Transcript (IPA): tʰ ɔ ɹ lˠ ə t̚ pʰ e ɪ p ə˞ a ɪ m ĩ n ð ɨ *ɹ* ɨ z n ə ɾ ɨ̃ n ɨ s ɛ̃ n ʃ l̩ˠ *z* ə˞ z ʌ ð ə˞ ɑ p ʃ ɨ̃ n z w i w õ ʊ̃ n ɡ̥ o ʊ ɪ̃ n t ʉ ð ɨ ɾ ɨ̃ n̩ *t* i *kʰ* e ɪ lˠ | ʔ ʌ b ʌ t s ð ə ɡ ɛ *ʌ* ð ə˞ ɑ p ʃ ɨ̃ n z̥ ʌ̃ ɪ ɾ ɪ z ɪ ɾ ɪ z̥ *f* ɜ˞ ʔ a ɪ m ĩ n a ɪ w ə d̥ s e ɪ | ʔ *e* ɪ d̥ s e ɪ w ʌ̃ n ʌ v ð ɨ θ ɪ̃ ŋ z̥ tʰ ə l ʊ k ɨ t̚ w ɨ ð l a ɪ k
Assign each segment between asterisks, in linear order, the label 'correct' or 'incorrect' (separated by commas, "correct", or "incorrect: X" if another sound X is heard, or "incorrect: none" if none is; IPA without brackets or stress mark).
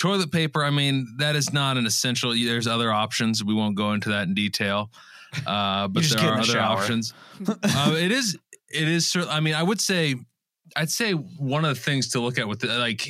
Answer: incorrect: ɾ, incorrect: ð, incorrect: d, incorrect: tʰ, correct, incorrect: s, incorrect: a